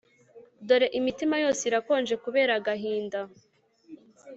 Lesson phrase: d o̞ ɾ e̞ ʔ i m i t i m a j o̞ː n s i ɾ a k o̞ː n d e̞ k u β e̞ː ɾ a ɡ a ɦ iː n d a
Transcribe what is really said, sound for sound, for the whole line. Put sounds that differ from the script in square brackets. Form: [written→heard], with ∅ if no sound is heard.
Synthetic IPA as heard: d o̞ ɾ e̞ ʔ i m i t i m a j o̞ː [n→∅] s i ɾ a k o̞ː n [d→d͡ʒ] e̞ k u β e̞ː ɾ a ɡ a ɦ iː n d a